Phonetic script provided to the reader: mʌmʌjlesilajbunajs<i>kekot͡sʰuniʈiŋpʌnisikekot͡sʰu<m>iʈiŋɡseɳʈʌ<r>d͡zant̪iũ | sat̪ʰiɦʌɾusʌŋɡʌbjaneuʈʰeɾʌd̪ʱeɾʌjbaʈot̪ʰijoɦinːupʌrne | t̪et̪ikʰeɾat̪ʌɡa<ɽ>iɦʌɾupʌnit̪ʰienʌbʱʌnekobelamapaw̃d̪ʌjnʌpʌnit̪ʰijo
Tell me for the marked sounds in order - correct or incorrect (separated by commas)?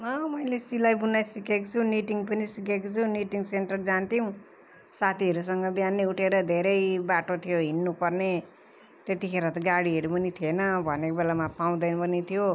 correct, incorrect, correct, correct